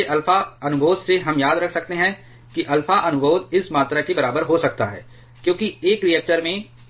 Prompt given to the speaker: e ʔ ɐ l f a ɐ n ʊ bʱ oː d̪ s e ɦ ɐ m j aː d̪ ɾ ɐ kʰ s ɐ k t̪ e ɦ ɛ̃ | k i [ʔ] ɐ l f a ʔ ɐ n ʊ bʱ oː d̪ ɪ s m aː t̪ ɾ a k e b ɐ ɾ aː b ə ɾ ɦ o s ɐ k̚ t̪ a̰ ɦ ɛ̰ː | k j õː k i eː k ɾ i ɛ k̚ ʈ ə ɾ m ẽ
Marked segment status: correct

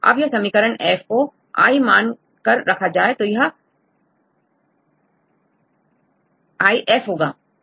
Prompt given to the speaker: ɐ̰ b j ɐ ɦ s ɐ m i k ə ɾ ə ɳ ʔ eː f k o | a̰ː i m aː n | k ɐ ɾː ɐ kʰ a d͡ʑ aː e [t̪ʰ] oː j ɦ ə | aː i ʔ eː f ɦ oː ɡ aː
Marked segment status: incorrect: t̪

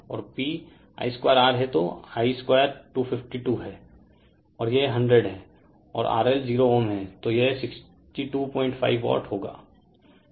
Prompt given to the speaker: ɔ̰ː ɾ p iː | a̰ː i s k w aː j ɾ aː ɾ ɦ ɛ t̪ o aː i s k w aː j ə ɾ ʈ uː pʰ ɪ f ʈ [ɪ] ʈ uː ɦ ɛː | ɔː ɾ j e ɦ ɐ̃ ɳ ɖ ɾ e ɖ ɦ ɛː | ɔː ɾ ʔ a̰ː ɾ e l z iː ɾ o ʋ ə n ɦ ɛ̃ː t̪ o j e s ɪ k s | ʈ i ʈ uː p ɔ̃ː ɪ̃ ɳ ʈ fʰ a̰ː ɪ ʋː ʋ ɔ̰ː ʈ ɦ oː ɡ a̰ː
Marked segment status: incorrect: i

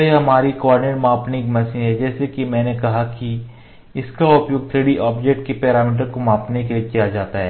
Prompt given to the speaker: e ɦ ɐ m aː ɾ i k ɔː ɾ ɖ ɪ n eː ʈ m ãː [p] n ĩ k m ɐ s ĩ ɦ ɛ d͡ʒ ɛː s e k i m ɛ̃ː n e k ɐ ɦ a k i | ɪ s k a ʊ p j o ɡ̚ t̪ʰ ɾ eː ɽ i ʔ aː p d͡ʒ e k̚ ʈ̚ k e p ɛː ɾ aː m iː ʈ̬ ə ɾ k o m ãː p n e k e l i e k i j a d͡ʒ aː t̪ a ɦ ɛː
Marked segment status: correct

